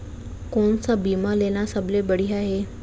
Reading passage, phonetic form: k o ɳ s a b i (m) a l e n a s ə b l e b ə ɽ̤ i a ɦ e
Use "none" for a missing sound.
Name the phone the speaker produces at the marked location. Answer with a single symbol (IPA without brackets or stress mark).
m